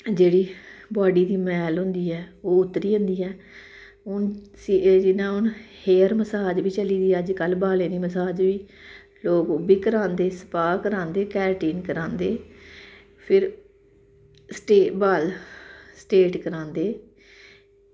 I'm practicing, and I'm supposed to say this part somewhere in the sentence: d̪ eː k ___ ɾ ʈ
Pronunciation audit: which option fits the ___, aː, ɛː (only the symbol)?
ɛː